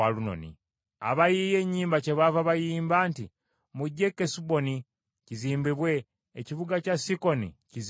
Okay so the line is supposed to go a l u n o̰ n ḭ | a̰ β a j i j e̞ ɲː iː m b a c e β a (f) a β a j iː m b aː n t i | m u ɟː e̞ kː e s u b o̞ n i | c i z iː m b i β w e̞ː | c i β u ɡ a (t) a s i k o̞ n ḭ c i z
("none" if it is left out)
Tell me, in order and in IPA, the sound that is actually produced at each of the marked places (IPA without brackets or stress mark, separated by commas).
v, c